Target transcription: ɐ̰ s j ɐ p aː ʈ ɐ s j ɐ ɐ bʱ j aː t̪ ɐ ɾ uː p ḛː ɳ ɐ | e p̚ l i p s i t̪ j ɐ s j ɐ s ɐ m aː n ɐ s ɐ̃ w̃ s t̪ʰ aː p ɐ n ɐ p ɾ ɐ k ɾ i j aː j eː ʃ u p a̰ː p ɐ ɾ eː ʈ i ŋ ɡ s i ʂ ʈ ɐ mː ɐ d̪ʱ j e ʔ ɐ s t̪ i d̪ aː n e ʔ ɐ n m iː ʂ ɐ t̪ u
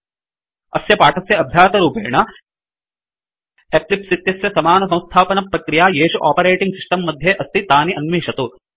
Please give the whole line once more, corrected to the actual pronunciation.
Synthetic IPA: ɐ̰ s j ɐ p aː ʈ ɐ s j ɐ ɐ bʱ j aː t̪ ɐ ɾ uː p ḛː ɳ ɐ | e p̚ l i p s i t̪ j ɐ s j ɐ s ɐ m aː n ɐ s ɐ̃ w̃ s t̪ʰ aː p ɐ n ɐ p ɾ ɐ k ɾ i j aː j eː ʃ u ʔ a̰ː p ɐ ɾ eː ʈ i ŋ ɡ s i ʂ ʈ ɐ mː ɐ d̪ʱ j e ʔ ɐ s t̪ i t̪ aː n i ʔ ɐ n m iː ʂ ɐ t̪ u

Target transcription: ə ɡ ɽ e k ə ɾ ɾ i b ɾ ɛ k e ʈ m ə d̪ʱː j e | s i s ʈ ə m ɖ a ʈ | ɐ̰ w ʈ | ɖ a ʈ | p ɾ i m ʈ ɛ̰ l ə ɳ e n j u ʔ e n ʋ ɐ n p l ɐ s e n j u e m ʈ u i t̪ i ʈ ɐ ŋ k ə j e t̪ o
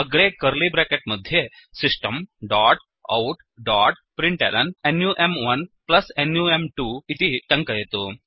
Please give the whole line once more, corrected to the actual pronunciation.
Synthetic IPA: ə ɡ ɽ e k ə ɾ l i b ɾ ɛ k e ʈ m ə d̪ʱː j e | s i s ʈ ə m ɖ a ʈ | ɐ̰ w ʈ | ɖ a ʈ | p ɾ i ɳ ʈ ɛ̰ l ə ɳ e n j u ʔ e m ʋ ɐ n p l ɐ s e n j u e m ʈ u i t̪ i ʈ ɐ ŋ k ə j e t̪ o

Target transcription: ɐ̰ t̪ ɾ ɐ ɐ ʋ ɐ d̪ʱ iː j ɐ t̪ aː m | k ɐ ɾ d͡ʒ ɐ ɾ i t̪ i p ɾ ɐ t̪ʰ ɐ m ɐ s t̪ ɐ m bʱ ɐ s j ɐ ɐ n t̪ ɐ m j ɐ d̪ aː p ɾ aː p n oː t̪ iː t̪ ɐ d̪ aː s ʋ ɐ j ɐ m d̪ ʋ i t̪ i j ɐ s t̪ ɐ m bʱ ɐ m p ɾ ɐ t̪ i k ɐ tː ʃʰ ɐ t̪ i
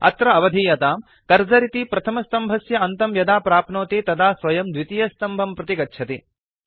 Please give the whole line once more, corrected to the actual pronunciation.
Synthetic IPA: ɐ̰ t̪ ɾ ɐ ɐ ʋ ɐ d̪ʱ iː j ɐ t̪ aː m | k ɐ ɾ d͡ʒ ɐ ɾ i t̪ i p ɾ ɐ t̪ʰ ɐ m ɐ s t̪ ɐ m bʱ ɐ s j ɐ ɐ n t̪ ɐ m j ɐ d̪ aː p ɾ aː p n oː t̪ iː t̪ ɐ d̪ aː s ʋ ɐ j ɐ m d̪ ʋ i t̪ i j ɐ s t̪ ɐ m bʱ ɐ m p ɾ ɐ t̪ i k ɐ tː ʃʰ ɐ t̪ i

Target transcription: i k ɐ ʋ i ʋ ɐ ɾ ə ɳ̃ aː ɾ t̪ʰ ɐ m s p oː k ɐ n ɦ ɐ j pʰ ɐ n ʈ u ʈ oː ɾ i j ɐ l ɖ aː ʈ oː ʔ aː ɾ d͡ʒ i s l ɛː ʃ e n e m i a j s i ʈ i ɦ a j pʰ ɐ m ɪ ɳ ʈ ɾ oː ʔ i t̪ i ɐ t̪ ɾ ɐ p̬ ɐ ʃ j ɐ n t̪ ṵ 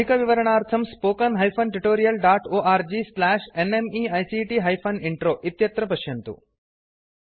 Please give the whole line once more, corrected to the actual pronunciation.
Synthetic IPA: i k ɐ ʋ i ʋ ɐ ɾ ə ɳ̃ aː ɾ t̪ʰ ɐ m s p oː k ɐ n ɦ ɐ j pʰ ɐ n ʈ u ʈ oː ɾ i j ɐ l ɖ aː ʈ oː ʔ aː ɾ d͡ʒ i s l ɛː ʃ e n e m i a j s i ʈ i ɦ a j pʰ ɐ n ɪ ɳ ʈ ɾ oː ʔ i t̪ j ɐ t̪ ɾ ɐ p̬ ɐ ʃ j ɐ n t̪ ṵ

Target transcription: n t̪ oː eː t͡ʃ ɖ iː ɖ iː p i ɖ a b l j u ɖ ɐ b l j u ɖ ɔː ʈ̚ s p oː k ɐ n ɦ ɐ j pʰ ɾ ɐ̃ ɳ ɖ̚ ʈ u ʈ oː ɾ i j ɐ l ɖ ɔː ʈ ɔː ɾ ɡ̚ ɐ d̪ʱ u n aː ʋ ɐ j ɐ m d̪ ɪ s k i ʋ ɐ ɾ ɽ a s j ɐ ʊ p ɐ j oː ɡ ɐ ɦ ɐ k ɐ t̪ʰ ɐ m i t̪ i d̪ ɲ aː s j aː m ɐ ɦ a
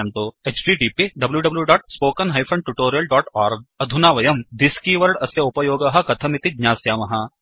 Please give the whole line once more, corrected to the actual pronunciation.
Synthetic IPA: n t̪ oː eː t͡ʃ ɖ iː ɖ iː p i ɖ ɐ b l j u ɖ ɐ b l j u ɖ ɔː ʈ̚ s p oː k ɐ n ɦ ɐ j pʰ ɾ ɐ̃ ɳ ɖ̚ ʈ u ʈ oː ɾ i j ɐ l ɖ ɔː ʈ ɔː ɾ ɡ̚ ɐ d̪ʱ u n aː ʋ ɐ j ɐ m d̪ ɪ s k i ʋ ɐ ɾ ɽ ɐ s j ɐ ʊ p ɐ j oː ɡ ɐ ɦ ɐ k ɐ t̪ʰ ɐ m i t̪ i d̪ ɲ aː s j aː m ɐ ɦ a

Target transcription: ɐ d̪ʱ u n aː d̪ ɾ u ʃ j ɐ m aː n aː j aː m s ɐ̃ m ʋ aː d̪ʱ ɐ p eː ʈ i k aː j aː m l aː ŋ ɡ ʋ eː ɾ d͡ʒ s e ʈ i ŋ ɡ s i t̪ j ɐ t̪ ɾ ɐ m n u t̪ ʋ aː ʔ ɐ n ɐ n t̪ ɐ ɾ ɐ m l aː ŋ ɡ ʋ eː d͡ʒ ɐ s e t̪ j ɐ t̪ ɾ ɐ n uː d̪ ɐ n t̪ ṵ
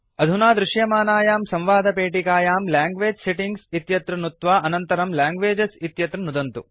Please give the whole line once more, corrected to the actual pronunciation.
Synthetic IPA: ɐ d̪ʱ u n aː d̪ ɾ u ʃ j ɐ m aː n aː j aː m s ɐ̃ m ʋ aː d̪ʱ ɐ p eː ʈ i k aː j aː m l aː ŋ ɡ ʋ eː d͡ʒ s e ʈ i ŋ ɡ s i t̪ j ɐ t̪ ɾ ɐ n u t̪ ʋ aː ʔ ɐ n ɐ n t̪ ɐ ɾ ɐ m l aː ŋ ɡ ʋ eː d͡ʒ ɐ s i t̪ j ɐ t̪ ɾ ɐ n u d̪ ɐ n t̪ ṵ

